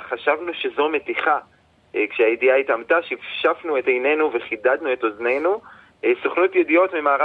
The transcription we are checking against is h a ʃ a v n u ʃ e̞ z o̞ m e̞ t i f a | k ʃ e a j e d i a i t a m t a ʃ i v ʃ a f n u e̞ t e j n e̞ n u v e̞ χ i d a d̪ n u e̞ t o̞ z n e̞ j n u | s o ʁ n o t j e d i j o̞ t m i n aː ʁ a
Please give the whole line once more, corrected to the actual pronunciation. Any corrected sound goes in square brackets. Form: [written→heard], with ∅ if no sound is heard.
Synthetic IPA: [h→χ] a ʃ a v n u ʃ e̞ z o̞ m e̞ t i [f→χ] a | k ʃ e a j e d i a i t a m t a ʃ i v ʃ a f n u e̞ t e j n e̞ n u v e̞ χ i d a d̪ n u e̞ t o̞ z n e̞ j n u | s o [ʁ→χ] n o t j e d i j o̞ t m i [n→m] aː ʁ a